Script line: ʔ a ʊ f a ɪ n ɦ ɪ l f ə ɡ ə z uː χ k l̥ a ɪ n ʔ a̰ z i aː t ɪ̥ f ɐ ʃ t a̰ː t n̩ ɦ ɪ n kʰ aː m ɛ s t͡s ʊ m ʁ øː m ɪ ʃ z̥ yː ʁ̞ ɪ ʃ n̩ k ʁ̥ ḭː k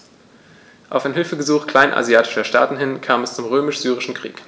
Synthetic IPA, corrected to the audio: ʔ a ʊ f a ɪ n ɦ ɪ l f ə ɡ ə z uː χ k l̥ a ɪ n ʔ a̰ z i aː t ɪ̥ ʃ ɐ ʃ t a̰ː t n̩ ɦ ɪ n kʰ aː m ɛ s t͡s ʊ m ʁ øː m ɪ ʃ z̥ yː ʁ̞ ɪ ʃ n̩ k ʁ̥ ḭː k